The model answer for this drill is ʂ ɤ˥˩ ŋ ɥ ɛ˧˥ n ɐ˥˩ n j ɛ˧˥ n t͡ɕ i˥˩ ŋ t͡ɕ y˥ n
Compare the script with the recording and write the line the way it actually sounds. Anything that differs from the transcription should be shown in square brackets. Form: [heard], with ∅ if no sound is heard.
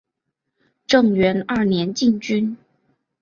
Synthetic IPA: [ʈ͡ʂ] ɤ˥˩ ŋ ɥ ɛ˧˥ n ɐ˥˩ n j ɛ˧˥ n t͡ɕ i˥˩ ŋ t͡ɕ y˥ n